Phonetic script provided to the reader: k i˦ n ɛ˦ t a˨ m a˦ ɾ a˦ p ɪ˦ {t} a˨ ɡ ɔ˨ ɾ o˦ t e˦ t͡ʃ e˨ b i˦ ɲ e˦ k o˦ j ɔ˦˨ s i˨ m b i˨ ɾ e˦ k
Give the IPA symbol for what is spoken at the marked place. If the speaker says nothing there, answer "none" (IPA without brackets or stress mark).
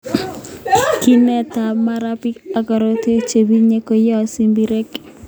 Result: k